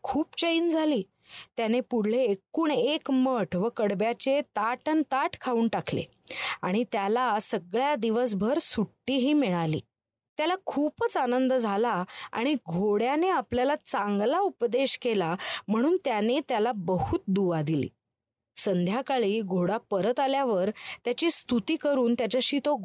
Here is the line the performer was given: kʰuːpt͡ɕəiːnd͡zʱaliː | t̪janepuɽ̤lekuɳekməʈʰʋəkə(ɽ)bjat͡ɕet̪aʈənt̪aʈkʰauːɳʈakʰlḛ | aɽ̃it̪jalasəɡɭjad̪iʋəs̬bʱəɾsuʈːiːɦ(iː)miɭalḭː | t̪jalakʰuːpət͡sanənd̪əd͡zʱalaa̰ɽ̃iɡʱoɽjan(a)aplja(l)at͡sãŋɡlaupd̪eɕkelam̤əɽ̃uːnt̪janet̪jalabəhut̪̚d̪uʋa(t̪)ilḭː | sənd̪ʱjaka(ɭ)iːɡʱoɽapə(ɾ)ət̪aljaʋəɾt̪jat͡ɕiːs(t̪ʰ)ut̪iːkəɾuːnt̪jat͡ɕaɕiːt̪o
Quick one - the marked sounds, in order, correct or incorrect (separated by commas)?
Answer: correct, correct, incorrect, correct, incorrect, correct, correct, incorrect